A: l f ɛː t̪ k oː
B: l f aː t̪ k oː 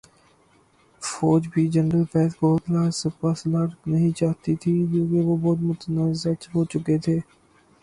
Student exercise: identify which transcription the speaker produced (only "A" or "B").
A